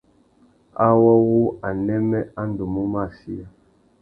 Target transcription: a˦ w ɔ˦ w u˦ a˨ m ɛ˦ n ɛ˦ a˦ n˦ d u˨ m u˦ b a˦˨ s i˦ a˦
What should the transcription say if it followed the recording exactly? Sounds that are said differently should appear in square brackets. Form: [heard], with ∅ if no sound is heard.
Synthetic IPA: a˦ w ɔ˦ w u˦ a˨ [n] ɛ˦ [m] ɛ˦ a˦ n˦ d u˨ m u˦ [m] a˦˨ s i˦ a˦

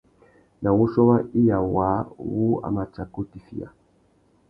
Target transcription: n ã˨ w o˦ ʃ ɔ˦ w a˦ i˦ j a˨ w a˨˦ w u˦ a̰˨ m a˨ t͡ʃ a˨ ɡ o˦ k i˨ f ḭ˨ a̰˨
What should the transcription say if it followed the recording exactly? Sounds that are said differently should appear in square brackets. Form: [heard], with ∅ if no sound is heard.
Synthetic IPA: n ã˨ w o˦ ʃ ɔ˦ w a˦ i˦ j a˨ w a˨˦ w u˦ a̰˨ m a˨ t͡ʃ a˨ [k] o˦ [t] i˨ f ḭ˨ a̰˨

